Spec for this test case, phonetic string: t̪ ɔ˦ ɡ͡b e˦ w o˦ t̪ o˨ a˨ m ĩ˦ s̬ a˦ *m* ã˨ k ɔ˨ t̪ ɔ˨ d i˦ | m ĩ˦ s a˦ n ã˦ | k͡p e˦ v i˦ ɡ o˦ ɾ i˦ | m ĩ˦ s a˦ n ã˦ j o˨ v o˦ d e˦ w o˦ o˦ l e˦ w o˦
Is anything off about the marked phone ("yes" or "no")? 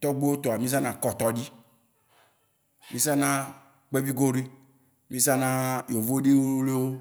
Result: yes